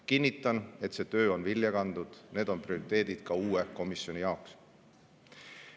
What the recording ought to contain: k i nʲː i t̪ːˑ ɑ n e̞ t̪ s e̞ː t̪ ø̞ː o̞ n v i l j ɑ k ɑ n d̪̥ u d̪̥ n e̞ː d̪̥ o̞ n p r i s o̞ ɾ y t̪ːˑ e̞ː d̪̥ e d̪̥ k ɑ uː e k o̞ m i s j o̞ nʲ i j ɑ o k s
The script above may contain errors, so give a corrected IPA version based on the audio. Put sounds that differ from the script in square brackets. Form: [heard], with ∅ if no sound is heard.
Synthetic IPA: k i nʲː i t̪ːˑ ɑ n e̞ t̪ s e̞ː t̪ ø̞ː o̞ n v i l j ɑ k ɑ n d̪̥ u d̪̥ n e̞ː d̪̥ o̞ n p r i [∅] o̞ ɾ [i] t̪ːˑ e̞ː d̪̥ [i] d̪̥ k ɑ uː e k o̞ m i s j o̞ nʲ i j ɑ o k s